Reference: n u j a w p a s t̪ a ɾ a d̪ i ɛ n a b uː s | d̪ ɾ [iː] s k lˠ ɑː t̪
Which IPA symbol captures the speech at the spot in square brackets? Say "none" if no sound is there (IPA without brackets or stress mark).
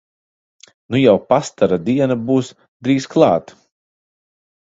iː